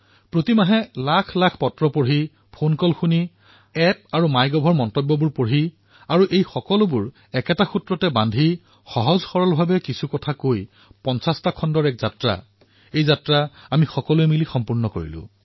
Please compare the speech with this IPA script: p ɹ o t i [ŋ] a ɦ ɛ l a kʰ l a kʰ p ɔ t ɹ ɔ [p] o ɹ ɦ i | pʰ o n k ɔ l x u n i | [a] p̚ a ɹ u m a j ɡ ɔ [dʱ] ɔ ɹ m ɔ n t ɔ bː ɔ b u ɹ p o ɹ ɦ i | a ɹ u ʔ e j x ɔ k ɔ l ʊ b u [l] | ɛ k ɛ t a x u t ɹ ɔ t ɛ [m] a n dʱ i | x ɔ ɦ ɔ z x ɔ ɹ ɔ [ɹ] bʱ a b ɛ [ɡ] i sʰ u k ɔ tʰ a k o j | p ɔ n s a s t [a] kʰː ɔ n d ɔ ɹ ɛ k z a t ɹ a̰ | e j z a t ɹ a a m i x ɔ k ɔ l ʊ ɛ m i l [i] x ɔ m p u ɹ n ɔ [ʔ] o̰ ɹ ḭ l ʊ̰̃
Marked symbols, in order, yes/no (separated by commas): no, yes, no, no, no, no, no, no, yes, yes, no